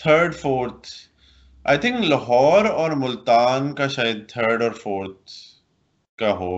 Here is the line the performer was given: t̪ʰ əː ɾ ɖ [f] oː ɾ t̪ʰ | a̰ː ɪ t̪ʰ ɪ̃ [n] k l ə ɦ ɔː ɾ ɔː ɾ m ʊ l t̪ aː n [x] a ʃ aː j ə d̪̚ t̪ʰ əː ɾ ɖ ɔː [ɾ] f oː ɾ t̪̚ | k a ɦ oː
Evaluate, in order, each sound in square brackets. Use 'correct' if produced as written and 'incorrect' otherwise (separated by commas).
correct, incorrect, incorrect, correct